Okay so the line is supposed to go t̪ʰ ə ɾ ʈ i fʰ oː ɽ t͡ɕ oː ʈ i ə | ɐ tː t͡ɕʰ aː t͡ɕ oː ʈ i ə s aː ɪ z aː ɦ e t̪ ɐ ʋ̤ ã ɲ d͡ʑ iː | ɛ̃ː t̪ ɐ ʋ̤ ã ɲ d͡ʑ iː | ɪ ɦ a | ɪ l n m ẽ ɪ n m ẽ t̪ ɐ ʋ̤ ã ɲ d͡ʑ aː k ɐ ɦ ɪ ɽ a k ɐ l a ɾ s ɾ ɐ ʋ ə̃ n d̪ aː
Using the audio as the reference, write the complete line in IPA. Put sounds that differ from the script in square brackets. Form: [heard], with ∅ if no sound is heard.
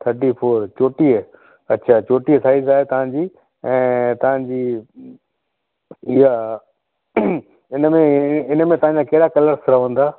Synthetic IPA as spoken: t̪ʰ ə ɾ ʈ i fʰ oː [ɾ] t͡ɕ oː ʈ i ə | ɐ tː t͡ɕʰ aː t͡ɕ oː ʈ i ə s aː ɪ z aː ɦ e t̪ ɐ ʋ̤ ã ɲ d͡ʑ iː | ɛ̃ː t̪ ɐ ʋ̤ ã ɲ d͡ʑ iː | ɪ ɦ a | ɪ [∅] n m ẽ ɪ n m ẽ t̪ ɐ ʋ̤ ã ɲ d͡ʑ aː k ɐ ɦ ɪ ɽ a k ɐ l [ə] ɾ s ɾ ɐ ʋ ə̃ n d̪ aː